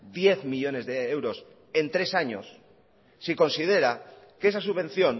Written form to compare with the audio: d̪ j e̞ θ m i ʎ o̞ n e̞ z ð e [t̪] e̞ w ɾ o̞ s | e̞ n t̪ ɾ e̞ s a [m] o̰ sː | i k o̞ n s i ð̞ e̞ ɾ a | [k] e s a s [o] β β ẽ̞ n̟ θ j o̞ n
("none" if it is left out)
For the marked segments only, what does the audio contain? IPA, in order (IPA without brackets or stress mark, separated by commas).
none, ɲ, k, u